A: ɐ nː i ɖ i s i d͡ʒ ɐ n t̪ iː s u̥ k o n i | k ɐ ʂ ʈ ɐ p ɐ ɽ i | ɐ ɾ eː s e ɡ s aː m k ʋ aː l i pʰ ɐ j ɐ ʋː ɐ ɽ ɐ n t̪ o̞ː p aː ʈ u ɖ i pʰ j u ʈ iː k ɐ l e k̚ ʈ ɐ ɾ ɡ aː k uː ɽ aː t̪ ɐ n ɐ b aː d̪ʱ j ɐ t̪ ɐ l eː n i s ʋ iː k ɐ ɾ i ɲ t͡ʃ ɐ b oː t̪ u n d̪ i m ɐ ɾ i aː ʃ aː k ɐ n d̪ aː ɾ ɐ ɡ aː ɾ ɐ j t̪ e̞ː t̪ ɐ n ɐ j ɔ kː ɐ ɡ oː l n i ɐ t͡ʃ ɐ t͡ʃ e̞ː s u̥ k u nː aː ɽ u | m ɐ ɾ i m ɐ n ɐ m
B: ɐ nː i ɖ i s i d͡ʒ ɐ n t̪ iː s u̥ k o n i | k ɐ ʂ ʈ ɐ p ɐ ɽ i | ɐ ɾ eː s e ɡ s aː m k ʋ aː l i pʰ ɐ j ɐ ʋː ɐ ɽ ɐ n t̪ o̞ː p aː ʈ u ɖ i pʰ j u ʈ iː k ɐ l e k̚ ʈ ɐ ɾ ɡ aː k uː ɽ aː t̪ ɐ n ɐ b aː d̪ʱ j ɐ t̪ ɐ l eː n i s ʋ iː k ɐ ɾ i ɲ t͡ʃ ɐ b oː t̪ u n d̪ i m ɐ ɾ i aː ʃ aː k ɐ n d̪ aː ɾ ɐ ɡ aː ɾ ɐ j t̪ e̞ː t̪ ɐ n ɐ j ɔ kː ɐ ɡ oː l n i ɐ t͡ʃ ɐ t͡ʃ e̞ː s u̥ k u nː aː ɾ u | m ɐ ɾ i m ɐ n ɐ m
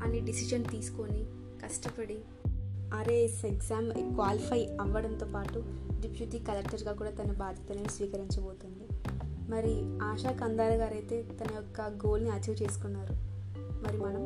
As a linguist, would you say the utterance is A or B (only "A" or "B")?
B